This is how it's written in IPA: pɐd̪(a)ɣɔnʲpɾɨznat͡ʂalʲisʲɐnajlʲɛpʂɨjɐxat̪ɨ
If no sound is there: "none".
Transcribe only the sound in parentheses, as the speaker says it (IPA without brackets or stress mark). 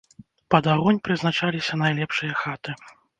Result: a